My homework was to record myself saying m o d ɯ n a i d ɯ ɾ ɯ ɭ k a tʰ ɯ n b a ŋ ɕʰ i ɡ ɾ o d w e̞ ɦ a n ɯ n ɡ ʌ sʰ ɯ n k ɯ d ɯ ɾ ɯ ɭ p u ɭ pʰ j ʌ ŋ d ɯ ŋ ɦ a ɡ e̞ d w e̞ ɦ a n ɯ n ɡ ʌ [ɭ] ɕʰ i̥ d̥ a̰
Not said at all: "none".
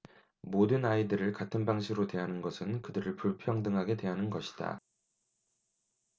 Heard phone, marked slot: none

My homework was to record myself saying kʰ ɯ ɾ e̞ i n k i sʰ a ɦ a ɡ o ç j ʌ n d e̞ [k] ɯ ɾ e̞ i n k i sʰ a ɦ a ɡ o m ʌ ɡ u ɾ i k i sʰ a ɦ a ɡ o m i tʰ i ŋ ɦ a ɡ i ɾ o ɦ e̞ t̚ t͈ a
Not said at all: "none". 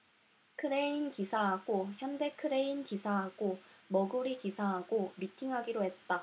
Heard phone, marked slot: kʰ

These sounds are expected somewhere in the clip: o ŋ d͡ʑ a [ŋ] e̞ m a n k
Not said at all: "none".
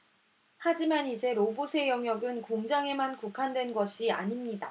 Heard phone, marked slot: ŋ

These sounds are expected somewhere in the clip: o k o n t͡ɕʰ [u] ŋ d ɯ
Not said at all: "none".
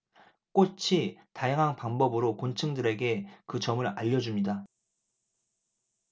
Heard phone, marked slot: ɯ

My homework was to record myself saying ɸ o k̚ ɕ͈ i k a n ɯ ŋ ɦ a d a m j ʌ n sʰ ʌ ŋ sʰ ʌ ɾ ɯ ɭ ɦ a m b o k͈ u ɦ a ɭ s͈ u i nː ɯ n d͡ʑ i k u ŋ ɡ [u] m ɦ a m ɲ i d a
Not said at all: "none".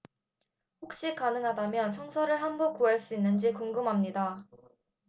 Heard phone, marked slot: ɯ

